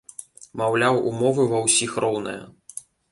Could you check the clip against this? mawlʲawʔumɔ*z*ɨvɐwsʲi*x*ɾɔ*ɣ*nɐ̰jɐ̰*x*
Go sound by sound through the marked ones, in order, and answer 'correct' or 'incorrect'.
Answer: incorrect: v, correct, incorrect: w, incorrect: none

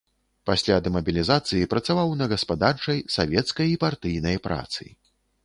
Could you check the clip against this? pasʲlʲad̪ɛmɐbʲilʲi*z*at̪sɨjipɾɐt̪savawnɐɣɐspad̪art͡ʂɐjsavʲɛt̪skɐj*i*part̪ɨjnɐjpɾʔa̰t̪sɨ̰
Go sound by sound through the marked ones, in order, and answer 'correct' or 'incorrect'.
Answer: correct, correct

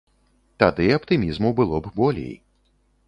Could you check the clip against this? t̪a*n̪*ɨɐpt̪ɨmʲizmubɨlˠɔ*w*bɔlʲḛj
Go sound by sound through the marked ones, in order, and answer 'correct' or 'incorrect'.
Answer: incorrect: d̪, incorrect: b

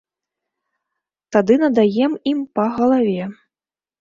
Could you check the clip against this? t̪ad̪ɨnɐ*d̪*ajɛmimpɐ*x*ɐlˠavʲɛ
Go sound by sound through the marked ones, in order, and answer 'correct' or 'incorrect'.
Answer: correct, incorrect: ɣ

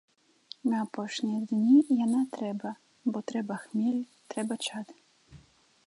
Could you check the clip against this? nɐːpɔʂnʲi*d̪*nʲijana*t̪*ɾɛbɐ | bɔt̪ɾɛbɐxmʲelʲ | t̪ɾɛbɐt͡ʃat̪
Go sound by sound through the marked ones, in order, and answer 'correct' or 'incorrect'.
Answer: correct, correct

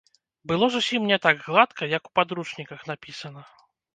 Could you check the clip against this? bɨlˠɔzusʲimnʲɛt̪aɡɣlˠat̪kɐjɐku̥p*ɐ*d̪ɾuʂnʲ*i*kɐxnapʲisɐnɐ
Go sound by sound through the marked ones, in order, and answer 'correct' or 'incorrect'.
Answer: incorrect: a, correct

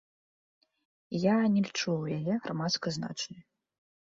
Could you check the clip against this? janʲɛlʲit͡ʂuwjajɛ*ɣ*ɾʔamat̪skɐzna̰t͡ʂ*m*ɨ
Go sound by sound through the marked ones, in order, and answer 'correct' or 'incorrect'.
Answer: correct, incorrect: n

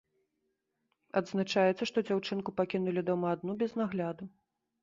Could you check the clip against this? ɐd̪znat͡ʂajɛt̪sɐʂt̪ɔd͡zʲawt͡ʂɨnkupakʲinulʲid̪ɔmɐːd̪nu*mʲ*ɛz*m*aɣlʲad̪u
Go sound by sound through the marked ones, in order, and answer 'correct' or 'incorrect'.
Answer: incorrect: bʲ, incorrect: n

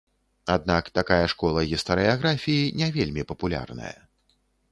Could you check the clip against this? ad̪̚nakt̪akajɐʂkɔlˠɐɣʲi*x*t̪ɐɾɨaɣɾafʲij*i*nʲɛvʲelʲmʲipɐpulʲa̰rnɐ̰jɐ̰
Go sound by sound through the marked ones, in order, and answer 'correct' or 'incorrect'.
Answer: incorrect: s, correct

